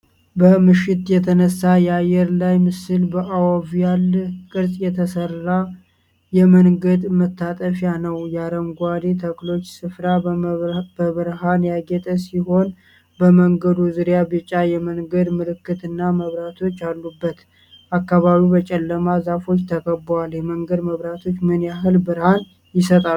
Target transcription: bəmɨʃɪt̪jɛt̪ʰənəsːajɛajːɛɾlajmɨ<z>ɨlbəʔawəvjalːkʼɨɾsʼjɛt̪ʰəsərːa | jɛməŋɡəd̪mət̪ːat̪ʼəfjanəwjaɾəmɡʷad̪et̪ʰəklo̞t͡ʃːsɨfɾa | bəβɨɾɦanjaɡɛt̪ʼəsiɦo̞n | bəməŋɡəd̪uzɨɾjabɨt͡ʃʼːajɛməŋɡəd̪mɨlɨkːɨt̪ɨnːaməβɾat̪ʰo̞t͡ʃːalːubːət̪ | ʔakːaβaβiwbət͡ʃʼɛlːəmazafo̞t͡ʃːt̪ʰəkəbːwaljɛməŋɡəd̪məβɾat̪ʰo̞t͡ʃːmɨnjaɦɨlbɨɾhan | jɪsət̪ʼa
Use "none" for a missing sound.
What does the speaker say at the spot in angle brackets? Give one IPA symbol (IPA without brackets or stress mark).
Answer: s